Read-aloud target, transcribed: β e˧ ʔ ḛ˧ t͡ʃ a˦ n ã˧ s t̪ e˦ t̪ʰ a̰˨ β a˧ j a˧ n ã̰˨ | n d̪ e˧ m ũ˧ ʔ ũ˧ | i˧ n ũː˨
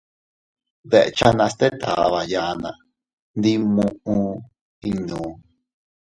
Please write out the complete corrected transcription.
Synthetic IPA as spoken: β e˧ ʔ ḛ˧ t͡ʃ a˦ n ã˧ s t̪ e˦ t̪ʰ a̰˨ β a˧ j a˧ n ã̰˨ | n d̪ i˧ m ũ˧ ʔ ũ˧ | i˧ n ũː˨